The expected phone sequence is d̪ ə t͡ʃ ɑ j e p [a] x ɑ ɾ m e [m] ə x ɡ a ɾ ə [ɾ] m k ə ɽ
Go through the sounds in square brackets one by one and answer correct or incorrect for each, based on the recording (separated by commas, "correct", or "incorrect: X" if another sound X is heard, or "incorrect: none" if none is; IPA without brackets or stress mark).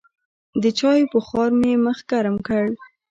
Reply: incorrect: ə, correct, incorrect: none